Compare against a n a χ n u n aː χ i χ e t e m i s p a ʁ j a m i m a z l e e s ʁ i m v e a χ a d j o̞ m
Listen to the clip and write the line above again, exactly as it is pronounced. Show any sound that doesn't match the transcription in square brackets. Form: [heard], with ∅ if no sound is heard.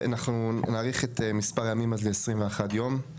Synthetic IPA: a n a χ n u n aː [ʁ] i χ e t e m i s p a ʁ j a m i m a z l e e s ʁ i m v e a χ a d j o̞ m